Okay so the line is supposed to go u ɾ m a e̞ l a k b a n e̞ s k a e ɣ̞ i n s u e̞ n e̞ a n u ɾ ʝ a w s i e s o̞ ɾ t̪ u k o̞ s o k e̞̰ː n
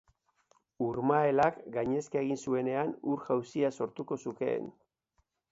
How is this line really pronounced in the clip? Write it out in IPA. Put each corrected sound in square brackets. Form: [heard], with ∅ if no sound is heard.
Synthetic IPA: u ɾ m a e̞ l a k [ɡ] a [ɲ] e̞ s k a e ɣ̞ i n s u e̞ n e̞ a n u ɾ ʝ a w s i [a] s o̞ ɾ t̪ u k o̞ s [u] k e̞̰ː n